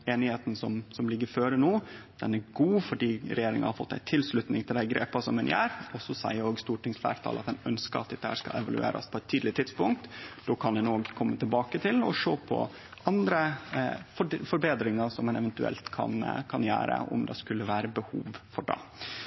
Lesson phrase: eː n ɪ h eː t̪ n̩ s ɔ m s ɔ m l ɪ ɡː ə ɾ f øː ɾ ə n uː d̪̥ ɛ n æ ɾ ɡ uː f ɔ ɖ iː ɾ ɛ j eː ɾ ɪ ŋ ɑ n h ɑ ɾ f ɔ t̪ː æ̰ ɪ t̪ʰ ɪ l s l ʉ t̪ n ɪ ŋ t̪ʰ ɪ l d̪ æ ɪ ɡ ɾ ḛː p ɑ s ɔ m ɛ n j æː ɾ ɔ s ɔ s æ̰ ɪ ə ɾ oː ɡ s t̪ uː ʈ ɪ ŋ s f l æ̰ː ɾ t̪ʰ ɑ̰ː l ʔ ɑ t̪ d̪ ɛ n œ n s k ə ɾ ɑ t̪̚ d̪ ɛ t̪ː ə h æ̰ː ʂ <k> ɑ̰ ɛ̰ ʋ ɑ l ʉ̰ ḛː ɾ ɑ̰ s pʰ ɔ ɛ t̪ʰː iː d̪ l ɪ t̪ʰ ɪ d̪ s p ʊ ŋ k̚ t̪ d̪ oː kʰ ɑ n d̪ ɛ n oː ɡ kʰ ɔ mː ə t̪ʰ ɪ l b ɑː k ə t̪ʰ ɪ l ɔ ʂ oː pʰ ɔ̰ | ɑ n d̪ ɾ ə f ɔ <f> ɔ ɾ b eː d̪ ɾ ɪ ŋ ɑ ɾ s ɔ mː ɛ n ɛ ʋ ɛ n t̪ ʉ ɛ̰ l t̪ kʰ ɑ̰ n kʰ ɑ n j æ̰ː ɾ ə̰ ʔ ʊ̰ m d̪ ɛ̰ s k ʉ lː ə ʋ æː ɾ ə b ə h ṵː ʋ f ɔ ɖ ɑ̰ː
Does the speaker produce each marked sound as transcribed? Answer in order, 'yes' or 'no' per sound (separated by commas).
yes, yes